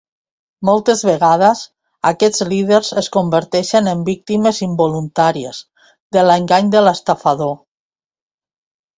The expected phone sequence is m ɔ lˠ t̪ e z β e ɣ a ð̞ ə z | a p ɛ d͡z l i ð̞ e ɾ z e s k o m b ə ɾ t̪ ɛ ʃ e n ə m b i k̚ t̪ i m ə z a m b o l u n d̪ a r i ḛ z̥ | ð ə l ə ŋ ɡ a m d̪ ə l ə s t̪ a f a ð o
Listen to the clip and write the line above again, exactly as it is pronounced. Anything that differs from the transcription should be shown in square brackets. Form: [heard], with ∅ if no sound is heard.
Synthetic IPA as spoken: m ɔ lˠ t̪ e z β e ɣ a ð̞ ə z | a [k] ɛ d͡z l i ð̞ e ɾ z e s k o m b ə ɾ t̪ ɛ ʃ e n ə m b i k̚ t̪ i m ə z [i] m b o l u n [t̪] a [ɾ] i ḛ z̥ | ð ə l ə ŋ ɡ a [ɲ] d̪ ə l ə s t̪ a f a ð o